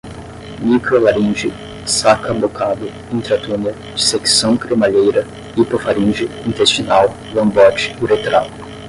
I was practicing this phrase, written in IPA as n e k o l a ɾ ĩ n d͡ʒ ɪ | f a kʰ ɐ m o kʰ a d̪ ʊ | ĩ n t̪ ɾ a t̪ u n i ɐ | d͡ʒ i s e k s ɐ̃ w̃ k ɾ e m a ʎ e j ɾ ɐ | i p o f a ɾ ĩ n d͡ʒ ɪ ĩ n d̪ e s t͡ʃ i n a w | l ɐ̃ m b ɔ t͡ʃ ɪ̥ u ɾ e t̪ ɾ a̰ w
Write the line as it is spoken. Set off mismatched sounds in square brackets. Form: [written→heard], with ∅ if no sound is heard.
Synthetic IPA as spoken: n [e→i] k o l a ɾ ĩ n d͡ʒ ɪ | [f→s] a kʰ ɐ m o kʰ a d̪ ʊ | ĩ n t̪ ɾ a t̪ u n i ɐ | d͡ʒ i s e k s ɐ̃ w̃ k ɾ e m a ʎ e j ɾ ɐ | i p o f a ɾ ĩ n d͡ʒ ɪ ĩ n [d̪→t̪] e s t͡ʃ i n a w | l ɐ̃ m b ɔ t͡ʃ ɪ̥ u ɾ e t̪ ɾ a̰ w